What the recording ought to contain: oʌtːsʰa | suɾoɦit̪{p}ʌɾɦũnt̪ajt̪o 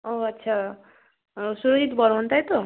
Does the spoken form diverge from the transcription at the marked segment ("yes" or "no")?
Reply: yes